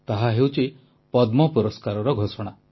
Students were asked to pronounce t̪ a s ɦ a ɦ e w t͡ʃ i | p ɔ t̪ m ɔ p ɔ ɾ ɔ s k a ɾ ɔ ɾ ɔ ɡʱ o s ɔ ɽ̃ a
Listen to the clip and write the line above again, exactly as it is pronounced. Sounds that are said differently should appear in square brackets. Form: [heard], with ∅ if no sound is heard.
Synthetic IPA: t̪ a [∅] ɦ a ɦ e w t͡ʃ i | p ɔ [d̪] m ɔ p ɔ ɾ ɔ s k a ɾ ɔ ɾ ɔ ɡʱ o s ɔ ɽ̃ a